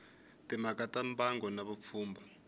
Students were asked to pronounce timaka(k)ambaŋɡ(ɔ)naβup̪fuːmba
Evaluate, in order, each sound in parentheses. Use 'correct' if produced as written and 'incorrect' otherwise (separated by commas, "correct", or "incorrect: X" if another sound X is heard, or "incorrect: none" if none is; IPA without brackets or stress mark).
incorrect: t, correct